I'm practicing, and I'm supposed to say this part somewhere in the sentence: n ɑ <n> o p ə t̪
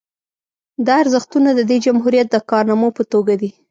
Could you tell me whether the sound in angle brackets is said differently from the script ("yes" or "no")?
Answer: yes